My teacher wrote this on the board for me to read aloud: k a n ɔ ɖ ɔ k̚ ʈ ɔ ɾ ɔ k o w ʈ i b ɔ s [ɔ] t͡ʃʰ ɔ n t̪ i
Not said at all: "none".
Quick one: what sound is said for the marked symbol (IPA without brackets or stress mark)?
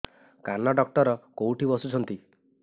u